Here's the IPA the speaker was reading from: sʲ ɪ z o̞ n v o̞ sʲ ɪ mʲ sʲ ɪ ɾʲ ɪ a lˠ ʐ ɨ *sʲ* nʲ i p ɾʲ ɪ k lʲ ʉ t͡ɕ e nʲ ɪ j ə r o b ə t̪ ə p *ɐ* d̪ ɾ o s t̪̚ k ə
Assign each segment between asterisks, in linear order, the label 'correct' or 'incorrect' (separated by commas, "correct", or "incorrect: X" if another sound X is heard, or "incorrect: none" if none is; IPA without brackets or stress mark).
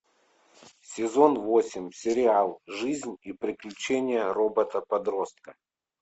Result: incorrect: zʲ, correct